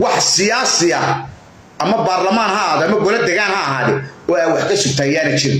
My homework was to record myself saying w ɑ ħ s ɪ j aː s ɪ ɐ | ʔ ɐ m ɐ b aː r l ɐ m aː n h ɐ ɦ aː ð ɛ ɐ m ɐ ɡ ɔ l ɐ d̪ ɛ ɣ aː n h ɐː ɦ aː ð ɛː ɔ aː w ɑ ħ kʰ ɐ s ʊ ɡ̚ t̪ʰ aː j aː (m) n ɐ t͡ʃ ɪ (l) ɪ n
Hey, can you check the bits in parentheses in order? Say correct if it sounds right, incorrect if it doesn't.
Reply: incorrect, incorrect

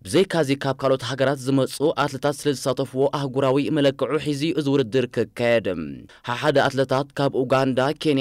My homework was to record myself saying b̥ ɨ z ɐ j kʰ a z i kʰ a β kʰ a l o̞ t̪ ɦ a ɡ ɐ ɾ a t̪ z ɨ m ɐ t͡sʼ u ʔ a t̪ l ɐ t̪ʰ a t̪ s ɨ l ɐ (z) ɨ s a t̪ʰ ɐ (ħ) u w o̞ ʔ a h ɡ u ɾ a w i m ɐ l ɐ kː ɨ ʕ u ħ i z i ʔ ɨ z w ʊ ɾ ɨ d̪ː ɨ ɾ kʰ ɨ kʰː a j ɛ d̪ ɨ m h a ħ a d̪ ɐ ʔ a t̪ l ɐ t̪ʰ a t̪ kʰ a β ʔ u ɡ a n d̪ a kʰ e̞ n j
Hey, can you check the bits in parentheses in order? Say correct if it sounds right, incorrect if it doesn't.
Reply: correct, incorrect

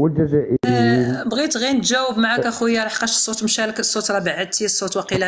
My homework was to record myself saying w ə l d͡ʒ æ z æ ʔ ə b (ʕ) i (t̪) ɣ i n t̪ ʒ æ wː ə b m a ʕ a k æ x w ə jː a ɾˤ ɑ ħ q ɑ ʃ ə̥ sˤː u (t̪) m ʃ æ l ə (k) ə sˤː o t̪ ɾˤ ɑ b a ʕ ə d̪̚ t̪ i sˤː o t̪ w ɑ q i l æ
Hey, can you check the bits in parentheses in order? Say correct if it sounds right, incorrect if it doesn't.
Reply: incorrect, correct, correct, correct

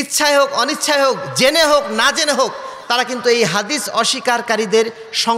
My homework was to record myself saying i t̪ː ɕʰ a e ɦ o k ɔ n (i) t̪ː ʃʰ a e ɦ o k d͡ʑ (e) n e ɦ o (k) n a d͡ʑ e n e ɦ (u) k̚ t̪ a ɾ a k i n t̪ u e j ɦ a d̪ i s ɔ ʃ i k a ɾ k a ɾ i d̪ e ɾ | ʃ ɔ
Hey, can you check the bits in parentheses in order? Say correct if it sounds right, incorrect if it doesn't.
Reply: correct, correct, correct, incorrect

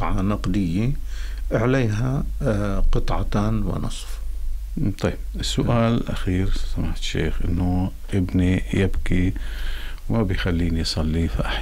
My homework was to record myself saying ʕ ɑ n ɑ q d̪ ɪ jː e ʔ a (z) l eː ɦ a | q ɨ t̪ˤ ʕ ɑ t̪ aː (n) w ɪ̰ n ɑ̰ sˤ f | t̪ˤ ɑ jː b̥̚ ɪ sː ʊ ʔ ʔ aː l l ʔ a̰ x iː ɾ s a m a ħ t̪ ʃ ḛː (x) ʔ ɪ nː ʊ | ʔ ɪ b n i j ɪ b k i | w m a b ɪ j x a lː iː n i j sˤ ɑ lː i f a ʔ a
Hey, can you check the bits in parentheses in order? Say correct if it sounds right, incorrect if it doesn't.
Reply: incorrect, correct, correct

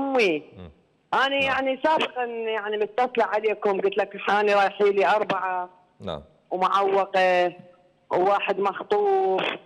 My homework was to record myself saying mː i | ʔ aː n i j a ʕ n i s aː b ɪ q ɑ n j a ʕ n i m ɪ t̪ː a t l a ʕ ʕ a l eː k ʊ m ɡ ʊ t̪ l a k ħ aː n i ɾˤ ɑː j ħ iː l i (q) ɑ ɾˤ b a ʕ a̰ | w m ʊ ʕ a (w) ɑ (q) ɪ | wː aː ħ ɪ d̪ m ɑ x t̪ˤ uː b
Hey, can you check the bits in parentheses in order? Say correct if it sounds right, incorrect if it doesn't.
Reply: incorrect, incorrect, correct

